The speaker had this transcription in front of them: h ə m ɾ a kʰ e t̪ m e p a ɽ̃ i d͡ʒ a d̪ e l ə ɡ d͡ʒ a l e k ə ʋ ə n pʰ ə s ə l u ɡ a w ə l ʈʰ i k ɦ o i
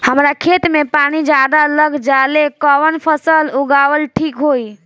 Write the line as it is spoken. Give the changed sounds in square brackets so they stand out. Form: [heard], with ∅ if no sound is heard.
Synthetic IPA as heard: h ə m ɾ a kʰ e t̪ m e p a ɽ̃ i d͡ʒ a d̪ [a] l ə ɡ d͡ʒ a l e k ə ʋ ə n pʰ ə s ə l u ɡ a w ə l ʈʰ i k ɦ o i

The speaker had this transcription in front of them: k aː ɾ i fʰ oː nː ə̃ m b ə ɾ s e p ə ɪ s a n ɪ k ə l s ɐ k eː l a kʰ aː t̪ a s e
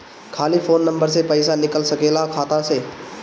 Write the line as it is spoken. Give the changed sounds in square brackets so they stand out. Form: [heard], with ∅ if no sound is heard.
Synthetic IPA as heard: [kʰ] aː [l] i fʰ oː nː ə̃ m b ə ɾ s e p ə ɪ s a n ɪ k ə l s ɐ k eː l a kʰ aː t̪ a s e

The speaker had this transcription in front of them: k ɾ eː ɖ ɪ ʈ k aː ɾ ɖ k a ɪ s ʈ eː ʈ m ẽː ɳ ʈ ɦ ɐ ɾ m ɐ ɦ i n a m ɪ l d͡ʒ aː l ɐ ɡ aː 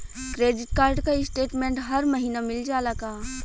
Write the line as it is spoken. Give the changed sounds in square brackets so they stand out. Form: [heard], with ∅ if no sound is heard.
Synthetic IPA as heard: k ɾ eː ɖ ɪ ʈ k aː ɾ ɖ k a ɪ s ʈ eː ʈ m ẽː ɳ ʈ ɦ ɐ ɾ m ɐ ɦ [iː] n a m ɪ l d͡ʒ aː l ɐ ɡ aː

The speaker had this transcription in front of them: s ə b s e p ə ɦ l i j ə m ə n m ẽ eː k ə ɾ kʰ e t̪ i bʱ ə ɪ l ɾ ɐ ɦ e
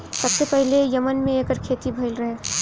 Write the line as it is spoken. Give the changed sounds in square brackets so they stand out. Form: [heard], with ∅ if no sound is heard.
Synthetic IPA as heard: s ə b s e p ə ɦ l [e] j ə m ə n m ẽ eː k ə ɾ kʰ e t̪ i bʱ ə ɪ l ɾ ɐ ɦ e

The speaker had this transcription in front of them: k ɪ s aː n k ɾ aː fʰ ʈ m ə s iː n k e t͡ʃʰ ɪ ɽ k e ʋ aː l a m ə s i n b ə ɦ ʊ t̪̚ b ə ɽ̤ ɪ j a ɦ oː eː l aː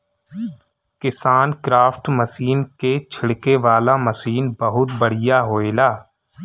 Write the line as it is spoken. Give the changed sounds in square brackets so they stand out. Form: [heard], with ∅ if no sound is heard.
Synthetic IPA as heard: k ɪ s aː n k ɾ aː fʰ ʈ m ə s iː n k e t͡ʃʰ ɪ ɽ k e ʋ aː l a m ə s [iː] n b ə ɦ ʊ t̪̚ b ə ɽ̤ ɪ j a ɦ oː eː l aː

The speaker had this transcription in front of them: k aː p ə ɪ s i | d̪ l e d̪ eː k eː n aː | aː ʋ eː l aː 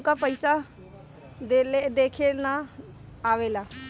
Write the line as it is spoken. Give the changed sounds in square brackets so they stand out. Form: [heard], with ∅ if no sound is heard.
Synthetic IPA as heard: k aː p ə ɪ s [a] | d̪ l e d̪ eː [kʰ] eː n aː | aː ʋ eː l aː

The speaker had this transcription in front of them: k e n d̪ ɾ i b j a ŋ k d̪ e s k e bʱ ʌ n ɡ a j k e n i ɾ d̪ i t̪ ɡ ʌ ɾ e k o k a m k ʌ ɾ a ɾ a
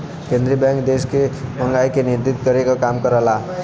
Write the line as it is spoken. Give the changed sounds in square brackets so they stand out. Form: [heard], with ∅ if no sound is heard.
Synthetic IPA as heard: k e n d̪ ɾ i b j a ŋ k d̪ e s k e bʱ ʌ [ŋ] ɡ a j k e n i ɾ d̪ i t̪ ɡ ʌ ɾ e k o k a m k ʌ ɾ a [l] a

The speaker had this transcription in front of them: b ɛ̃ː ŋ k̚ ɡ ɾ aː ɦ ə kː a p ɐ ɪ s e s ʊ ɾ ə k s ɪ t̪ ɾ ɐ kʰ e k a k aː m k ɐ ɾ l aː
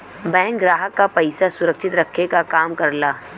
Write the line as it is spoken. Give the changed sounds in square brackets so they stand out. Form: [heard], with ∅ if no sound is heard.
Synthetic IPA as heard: b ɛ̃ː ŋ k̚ ɡ ɾ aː ɦ ə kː a p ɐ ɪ s [a] s ʊ ɾ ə k [ʃ] ɪ t̪ ɾ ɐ kʰ e k a k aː m k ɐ ɾ l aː

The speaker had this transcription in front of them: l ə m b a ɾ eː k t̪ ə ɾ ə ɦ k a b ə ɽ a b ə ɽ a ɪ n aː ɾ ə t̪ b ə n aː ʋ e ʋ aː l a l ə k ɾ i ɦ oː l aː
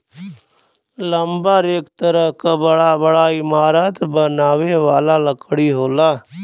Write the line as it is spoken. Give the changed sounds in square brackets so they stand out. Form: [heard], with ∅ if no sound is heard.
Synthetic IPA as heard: l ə m b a ɾ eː k t̪ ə ɾ ə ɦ k a b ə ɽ a b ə ɽ a ɪ [m] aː ɾ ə t̪ b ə n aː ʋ e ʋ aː l a l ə k [ɽ] i ɦ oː l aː

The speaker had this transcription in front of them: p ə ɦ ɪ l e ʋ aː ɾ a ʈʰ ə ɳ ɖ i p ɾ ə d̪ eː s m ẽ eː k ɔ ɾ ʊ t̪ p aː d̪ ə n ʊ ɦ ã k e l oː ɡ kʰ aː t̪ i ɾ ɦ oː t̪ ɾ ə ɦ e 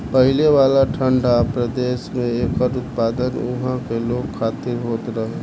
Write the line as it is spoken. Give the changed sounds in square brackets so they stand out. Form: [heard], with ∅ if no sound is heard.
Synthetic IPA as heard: p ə ɦ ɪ l e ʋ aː [l] a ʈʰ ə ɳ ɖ [a] p ɾ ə d̪ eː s m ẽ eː k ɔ ɾ ʊ t̪ p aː d̪ ə n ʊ ɦ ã k e l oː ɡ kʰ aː t̪ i ɾ ɦ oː t̪ ɾ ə ɦ e

